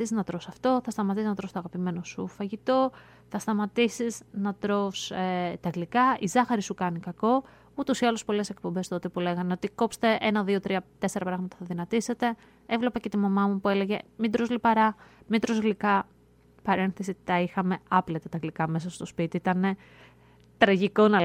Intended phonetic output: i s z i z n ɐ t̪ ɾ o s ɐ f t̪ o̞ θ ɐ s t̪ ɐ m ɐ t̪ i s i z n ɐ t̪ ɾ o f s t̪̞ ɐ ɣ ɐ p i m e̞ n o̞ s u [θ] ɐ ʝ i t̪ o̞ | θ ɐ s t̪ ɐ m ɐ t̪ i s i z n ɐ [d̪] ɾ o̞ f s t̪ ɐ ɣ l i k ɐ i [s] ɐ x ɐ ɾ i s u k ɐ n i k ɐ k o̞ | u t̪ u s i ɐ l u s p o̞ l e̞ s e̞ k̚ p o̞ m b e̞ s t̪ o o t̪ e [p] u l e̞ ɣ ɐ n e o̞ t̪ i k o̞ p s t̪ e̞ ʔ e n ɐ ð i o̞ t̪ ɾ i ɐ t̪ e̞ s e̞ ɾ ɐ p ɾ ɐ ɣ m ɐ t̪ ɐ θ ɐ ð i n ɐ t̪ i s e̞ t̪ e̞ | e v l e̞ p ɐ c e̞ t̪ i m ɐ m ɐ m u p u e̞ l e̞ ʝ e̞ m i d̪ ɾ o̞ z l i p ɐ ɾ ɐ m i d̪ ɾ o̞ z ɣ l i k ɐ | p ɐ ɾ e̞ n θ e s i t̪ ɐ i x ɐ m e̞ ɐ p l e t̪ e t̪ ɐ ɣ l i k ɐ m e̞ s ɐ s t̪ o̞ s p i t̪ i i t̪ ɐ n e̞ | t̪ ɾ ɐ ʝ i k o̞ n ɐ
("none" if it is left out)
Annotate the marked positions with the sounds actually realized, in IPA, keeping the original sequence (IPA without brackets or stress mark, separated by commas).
f, t̪, z, p